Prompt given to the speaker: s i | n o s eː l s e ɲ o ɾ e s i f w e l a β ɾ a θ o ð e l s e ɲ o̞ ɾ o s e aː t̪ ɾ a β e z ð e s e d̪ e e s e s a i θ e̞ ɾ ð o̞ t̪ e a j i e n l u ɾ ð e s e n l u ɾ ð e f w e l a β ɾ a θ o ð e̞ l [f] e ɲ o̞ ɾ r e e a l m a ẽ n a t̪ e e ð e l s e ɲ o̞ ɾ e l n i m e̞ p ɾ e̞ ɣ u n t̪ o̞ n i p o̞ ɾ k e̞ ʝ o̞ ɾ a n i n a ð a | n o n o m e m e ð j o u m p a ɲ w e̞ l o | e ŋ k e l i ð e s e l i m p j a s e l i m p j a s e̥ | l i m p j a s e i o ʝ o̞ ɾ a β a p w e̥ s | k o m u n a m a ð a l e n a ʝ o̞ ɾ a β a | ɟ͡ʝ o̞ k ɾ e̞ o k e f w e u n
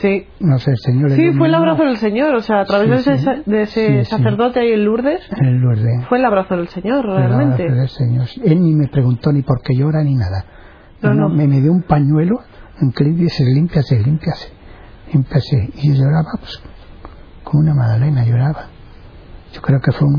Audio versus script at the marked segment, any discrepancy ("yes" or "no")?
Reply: yes